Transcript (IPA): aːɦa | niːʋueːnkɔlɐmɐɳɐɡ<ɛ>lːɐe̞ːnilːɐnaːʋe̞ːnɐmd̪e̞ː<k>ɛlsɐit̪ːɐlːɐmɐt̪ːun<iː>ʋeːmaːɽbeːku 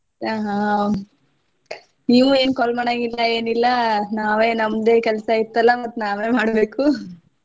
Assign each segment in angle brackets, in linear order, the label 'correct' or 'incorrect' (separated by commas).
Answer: incorrect, correct, incorrect